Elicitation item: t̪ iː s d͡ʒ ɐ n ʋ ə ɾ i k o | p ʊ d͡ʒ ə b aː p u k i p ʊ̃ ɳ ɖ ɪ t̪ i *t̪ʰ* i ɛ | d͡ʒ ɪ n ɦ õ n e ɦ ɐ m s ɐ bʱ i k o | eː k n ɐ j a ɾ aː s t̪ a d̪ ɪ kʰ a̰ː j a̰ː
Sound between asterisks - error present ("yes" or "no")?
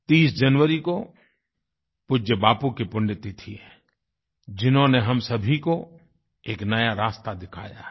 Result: no